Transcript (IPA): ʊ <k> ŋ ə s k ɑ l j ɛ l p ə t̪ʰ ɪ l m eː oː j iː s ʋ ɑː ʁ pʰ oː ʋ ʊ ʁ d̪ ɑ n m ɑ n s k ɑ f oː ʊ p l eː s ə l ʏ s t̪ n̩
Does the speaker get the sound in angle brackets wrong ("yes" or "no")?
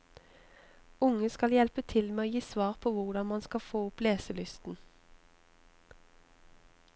yes